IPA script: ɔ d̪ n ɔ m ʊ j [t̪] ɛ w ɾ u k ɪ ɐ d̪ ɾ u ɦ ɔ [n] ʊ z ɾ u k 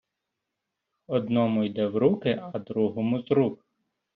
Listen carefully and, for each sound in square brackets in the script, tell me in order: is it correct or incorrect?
incorrect, incorrect

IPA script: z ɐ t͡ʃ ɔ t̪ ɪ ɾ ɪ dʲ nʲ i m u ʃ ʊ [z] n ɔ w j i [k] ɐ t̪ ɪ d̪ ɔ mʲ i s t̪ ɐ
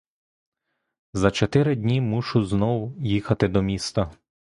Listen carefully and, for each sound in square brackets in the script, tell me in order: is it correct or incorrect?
correct, incorrect

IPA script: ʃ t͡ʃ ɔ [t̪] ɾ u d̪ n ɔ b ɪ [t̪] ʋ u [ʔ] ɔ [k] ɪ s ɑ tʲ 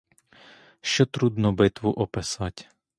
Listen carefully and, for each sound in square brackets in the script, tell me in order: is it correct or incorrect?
correct, correct, correct, incorrect

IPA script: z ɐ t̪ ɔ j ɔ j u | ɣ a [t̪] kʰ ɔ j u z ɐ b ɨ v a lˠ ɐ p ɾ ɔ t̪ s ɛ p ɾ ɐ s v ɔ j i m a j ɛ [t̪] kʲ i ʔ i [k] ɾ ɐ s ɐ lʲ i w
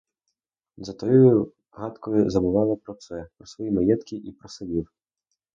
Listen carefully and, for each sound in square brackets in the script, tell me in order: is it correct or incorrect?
correct, correct, incorrect

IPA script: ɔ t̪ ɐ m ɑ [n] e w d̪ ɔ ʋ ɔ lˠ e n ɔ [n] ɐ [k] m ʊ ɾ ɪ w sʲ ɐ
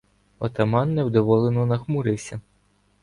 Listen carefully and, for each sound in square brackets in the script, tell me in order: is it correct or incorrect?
incorrect, correct, incorrect

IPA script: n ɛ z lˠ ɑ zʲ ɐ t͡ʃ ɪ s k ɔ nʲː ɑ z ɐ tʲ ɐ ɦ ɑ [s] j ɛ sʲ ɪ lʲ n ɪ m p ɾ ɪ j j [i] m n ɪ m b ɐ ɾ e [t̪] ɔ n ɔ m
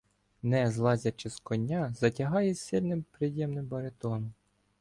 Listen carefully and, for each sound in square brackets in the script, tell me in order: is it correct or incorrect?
incorrect, incorrect, correct

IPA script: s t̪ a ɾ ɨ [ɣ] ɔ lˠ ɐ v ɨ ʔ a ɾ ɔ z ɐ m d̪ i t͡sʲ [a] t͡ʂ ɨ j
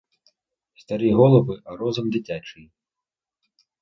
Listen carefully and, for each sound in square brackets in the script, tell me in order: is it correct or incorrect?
correct, correct

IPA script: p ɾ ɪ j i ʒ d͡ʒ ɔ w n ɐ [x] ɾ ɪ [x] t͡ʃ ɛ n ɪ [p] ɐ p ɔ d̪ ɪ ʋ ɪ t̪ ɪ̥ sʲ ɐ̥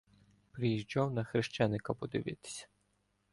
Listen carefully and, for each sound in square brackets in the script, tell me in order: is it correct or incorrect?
correct, incorrect, incorrect

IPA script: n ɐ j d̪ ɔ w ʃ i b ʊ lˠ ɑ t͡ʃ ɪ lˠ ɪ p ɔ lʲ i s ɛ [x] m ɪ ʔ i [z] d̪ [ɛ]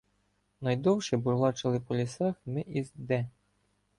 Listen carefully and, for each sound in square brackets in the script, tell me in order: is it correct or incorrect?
correct, correct, correct

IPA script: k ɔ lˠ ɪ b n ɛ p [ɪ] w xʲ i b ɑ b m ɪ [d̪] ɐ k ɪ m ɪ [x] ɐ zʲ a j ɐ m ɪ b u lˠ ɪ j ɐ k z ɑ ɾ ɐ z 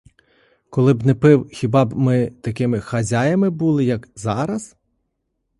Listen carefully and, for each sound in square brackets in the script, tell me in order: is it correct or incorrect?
correct, incorrect, correct

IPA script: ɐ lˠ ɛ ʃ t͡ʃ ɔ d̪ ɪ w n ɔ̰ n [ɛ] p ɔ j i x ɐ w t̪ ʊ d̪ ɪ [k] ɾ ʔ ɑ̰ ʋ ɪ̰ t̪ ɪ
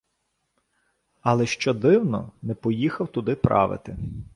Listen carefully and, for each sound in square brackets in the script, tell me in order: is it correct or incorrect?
correct, incorrect

